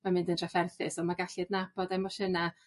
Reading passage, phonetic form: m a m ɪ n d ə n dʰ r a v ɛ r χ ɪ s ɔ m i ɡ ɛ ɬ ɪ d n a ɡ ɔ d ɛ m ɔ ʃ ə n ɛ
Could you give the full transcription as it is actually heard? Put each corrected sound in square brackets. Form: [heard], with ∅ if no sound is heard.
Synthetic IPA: m a m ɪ n d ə n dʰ r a [f] ɛ r [θ] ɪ s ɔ m [a] ɡ [a] ɬ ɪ d n a [b] ɔ d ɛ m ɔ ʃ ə n [a]